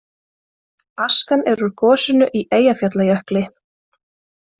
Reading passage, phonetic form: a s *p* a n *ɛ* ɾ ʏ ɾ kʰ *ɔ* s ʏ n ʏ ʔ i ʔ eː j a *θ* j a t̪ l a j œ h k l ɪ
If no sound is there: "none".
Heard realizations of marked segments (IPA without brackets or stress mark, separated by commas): k, ɛ, ɔː, f